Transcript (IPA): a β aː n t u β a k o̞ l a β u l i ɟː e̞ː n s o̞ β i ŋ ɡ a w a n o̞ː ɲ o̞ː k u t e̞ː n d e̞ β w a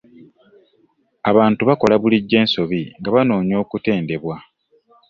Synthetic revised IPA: a β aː n t u β a k o̞ l a β u l i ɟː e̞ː n s o̞ β i ŋ ɡ a β a n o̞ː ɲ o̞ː k u t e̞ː n d e̞ β w a